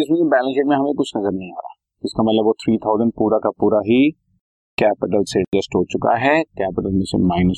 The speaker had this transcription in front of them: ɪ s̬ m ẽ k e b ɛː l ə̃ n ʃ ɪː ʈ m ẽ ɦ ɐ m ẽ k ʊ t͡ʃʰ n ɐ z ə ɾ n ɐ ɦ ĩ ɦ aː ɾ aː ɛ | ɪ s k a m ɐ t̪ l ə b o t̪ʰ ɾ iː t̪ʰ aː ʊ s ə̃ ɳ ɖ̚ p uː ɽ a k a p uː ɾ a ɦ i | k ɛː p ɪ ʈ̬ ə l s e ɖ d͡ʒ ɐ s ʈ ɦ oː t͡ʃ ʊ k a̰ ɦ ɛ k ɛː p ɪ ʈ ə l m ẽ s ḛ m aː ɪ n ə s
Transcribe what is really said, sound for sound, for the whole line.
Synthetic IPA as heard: ɪ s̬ m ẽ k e b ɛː l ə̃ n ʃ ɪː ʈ m ẽ ɦ ɐ m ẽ k ʊ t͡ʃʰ n ɐ z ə ɾ n ɐ ɦ ĩ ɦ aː ɾ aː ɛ | ɪ s k a m ɐ t̪ l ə b o t̪ʰ ɾ iː t̪ʰ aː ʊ z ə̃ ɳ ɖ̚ p uː ɾ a k a p uː ɾ a ɦ i | k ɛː p ɪ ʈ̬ ə l s e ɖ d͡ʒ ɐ s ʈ ɦ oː t͡ʃ ʊ k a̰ ɦ ɛ k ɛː p ɪ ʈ ə l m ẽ s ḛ m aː ɪ n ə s